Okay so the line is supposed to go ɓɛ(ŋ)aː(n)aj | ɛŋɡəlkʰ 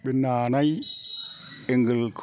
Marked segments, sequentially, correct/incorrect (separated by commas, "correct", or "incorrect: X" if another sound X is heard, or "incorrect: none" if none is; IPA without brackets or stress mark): incorrect: n, correct